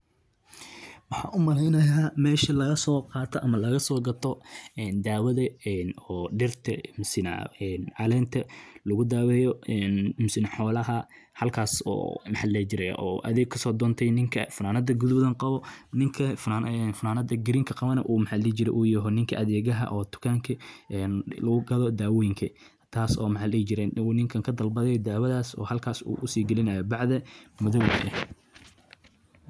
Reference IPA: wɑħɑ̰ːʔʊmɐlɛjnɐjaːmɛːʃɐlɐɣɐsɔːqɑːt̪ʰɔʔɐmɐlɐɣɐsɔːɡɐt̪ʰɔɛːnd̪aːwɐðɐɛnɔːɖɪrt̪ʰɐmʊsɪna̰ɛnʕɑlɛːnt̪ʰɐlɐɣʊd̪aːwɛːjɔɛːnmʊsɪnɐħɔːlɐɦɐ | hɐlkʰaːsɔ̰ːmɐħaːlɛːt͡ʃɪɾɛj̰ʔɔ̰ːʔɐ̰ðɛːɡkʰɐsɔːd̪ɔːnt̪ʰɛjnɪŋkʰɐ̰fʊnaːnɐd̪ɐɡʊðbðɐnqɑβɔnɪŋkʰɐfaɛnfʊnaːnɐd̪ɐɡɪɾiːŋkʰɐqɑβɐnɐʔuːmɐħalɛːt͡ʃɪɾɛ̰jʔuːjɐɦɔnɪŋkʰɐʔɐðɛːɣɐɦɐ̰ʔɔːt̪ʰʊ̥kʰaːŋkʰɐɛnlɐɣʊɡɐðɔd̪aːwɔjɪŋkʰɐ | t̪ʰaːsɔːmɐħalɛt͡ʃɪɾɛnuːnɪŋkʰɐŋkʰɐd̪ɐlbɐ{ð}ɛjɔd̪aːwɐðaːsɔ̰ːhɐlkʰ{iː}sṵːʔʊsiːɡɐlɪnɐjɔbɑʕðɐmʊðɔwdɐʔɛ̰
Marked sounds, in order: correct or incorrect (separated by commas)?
correct, incorrect